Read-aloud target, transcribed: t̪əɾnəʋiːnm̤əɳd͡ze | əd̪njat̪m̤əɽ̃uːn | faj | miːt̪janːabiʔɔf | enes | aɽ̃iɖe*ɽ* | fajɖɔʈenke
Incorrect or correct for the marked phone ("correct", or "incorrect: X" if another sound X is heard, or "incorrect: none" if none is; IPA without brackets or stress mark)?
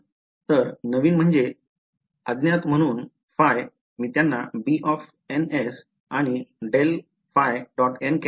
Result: incorrect: l